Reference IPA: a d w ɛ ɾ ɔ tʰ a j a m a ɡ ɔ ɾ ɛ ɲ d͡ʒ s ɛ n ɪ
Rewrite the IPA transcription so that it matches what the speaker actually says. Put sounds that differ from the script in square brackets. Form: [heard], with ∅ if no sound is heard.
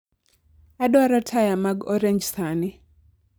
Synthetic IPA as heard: a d w [a] ɾ ɔ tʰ a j a m a ɡ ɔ ɾ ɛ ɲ d͡ʒ s [a] n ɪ

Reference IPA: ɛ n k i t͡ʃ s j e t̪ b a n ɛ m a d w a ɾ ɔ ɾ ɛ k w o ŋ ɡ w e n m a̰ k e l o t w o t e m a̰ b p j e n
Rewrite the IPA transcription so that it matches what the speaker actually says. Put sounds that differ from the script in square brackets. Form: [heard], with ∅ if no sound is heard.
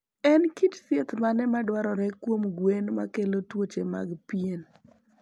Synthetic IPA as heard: ɛ n k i t͡ʃ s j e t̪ [m] a n ɛ m a d w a ɾ ɔ ɾ ɛ k w o [m] ɡ w e n m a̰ k e l o t w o [t͡ʃ] e m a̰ [ɡ] p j e n

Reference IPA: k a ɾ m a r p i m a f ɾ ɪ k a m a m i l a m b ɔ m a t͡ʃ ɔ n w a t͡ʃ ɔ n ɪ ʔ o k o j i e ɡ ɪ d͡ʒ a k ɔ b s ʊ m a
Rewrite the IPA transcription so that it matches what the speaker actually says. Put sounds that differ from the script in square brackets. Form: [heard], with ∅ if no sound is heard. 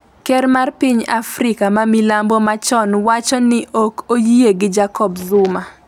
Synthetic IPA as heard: k [ɛ] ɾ m a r p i [ɲ] a f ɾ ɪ k a m a m i l a m b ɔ m a t͡ʃ ɔ n w a t͡ʃ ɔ n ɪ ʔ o k o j i e ɡ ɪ d͡ʒ a k ɔ b [z] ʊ m a

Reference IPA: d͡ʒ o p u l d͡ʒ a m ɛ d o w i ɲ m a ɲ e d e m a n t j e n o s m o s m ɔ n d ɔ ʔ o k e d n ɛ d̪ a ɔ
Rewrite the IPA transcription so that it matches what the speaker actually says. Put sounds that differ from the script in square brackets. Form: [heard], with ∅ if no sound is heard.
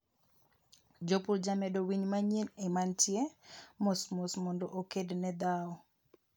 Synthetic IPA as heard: d͡ʒ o p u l d͡ʒ a m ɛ d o w i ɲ m a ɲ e [n] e m a n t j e [m] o s m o s m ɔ n d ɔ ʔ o k e d n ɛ d̪ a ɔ

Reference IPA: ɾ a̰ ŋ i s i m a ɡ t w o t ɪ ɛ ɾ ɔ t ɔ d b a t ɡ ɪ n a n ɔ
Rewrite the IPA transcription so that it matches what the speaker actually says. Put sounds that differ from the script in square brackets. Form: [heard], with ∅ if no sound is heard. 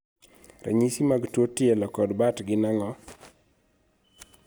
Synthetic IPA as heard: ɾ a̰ [ɲ] i s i m a ɡ t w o t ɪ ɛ [l] ɔ [k] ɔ d b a t ɡ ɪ n a [ŋ] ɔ

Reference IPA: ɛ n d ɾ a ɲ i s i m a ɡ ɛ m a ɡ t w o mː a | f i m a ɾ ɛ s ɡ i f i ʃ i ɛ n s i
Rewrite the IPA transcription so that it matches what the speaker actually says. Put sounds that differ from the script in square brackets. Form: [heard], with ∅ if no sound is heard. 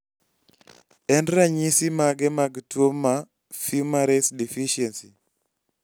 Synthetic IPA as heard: ɛ n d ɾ a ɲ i s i m a ɡ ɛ m a ɡ t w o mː a | f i m a ɾ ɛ s [d] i f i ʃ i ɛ n s i

